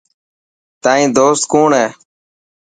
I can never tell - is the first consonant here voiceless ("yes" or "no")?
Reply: yes